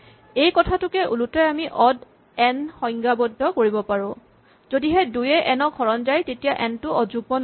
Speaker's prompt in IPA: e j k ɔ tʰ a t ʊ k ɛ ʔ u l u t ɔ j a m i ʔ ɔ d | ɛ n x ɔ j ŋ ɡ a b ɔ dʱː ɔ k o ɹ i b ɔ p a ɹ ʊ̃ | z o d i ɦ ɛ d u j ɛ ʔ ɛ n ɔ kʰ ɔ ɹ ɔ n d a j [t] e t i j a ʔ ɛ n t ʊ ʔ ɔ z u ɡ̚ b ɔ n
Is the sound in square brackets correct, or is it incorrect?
correct